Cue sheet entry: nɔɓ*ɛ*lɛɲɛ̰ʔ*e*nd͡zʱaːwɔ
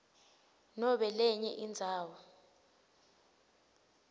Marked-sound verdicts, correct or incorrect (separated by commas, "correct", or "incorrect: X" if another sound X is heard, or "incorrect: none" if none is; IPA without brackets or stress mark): correct, incorrect: i